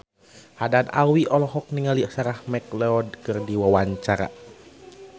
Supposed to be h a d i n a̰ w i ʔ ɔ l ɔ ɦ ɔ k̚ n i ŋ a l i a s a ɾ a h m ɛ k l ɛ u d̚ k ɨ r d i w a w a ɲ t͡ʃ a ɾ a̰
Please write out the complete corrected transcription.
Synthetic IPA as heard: h a d a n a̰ w i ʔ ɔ l ɔ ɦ ɔ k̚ n i ŋ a l i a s a ɾ a h m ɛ k l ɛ ɔ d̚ k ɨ r d i w a w a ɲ t͡ʃ a ɾ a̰